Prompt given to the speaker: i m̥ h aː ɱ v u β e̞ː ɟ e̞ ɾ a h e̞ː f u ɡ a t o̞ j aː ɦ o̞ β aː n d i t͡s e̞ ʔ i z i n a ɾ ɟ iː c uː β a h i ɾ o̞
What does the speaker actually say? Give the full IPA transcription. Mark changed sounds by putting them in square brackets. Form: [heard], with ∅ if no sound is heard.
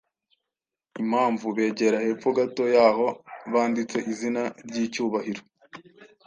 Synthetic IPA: i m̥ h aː ɱ v u β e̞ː ɟ e̞ ɾ a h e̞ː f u ɡ a t o̞ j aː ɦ o̞ β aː n d i t͡s e̞ ʔ i z i n a ɾ ɟ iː c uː β a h i ɾ o̞